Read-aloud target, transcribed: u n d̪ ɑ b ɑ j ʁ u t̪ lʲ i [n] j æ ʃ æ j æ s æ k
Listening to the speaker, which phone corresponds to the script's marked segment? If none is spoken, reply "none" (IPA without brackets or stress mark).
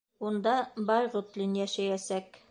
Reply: n